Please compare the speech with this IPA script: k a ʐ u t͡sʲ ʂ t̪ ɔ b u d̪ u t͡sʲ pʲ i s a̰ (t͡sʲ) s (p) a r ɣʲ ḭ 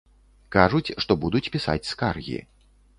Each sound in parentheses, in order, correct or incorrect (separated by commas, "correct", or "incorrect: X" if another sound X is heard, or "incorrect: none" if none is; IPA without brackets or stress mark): correct, incorrect: k